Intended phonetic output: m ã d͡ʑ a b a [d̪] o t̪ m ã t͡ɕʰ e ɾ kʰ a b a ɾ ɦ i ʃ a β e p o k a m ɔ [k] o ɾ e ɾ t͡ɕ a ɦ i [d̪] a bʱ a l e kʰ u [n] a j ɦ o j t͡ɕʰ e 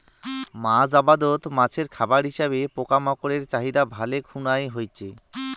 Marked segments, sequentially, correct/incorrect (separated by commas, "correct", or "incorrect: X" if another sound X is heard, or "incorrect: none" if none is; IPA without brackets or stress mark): correct, correct, correct, correct